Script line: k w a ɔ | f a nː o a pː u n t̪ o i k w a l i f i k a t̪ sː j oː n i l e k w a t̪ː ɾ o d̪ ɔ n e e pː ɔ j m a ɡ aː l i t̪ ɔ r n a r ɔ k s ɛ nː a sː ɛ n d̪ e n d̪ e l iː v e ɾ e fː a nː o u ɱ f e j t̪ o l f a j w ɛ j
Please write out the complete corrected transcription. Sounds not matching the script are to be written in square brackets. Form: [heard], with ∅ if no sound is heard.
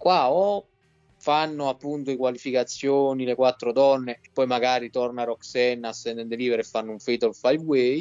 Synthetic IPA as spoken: k w a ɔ | f a nː o a pː u n t̪ o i k w a l i f i k a t̪ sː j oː n i l e k w a t̪ː ɾ o d̪ ɔ [nː] e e pː ɔ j m a ɡ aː [ɾ] i t̪ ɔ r n a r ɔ k s ɛ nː a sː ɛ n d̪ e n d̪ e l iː v e ɾ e fː a nː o u ɱ f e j t̪ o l f a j w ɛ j